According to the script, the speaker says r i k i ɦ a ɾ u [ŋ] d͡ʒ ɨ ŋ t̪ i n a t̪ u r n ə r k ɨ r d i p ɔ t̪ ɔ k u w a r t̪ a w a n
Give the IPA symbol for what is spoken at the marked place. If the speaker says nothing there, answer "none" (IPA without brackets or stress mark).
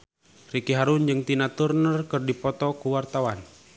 n